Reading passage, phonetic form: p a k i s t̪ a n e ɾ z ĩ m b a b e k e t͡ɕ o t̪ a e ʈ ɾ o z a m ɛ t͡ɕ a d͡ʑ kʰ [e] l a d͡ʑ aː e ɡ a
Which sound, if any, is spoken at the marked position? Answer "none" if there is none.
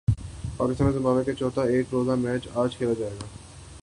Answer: e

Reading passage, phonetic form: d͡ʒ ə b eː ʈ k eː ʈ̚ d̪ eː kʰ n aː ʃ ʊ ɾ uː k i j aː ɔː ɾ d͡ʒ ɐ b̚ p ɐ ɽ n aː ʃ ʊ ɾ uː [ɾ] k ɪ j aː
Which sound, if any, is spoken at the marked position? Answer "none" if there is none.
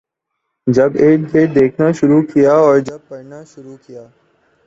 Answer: none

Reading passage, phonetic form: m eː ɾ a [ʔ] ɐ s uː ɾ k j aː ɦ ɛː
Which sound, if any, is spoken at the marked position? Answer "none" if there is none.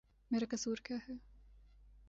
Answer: k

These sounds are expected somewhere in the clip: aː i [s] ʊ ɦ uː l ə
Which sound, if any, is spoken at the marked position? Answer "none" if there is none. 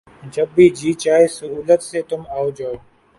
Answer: s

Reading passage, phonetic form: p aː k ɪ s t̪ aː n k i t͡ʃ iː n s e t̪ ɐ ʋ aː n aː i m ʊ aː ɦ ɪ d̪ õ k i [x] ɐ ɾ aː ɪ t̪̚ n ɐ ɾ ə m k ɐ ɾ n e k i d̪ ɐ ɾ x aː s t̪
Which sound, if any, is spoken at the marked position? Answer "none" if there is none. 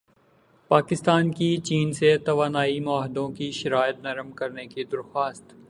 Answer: ʃ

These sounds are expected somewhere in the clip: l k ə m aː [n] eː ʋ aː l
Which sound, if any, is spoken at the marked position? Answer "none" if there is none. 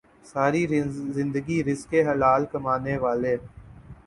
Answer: n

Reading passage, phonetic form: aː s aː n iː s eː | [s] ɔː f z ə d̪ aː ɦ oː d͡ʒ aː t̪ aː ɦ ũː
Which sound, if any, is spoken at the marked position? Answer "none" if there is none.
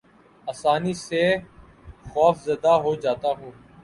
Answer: x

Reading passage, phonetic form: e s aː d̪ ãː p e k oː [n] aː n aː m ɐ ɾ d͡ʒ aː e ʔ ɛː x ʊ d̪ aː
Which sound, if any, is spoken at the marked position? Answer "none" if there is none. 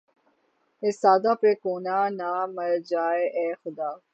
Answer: n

